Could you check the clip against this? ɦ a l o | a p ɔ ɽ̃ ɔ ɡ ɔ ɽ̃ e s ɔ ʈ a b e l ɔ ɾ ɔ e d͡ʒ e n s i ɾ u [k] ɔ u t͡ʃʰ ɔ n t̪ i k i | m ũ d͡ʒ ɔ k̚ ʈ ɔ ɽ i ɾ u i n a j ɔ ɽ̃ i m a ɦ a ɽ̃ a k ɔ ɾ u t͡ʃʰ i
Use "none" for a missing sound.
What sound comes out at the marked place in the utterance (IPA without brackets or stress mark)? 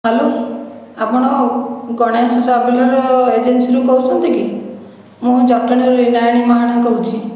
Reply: k